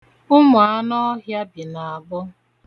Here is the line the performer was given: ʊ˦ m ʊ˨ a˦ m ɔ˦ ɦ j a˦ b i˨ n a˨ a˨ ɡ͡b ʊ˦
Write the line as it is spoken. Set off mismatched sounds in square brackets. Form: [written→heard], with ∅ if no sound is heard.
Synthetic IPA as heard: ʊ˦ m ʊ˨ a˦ [m→n] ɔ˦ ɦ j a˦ b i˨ n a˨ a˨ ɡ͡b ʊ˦